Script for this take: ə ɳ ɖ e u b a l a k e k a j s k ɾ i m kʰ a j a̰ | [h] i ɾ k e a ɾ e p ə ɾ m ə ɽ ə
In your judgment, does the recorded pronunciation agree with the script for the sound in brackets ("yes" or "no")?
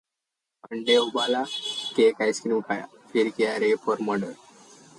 no